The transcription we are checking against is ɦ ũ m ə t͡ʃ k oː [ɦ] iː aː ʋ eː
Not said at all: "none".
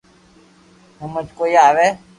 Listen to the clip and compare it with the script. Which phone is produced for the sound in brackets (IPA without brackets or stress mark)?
none